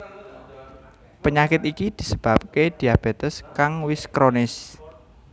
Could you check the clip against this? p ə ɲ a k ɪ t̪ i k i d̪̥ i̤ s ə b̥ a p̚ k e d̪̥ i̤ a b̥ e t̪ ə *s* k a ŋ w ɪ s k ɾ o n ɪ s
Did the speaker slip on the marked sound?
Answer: no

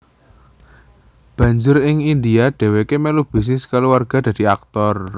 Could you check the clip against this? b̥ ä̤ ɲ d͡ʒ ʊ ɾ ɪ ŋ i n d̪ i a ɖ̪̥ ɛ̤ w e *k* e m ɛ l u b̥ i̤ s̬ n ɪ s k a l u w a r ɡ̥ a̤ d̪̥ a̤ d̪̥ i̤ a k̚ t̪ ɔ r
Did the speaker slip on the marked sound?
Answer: no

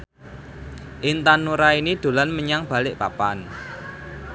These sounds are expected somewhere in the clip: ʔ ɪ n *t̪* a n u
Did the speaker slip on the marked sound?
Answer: no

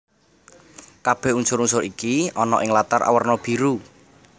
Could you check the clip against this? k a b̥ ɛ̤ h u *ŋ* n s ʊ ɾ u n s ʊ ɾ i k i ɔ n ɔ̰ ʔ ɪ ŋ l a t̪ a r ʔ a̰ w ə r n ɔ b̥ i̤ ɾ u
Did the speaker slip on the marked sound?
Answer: yes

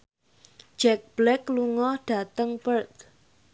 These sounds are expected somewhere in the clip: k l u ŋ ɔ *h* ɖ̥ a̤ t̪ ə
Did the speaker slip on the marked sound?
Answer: no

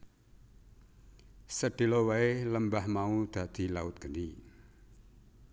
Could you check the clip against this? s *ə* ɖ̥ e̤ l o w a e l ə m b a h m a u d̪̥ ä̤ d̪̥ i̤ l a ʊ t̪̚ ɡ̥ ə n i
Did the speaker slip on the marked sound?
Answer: no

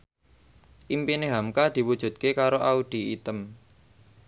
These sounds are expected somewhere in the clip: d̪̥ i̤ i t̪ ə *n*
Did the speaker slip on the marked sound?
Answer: yes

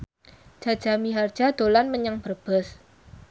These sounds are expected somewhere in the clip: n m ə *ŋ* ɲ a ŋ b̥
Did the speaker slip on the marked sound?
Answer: yes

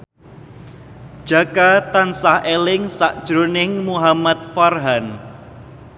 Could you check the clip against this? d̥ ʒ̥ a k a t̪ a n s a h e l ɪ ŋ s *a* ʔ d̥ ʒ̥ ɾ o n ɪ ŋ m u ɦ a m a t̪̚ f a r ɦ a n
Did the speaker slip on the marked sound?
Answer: no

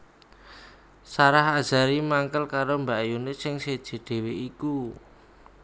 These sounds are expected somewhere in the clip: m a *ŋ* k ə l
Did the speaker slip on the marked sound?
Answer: no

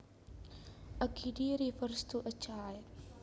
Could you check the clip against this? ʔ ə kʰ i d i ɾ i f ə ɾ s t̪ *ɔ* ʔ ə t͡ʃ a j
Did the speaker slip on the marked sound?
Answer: yes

